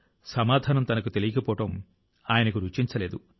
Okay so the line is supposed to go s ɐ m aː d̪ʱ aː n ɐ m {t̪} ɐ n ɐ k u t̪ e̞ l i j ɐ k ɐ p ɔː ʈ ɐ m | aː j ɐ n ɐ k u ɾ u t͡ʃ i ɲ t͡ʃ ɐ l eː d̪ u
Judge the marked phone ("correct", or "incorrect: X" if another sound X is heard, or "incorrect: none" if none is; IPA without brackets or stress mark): correct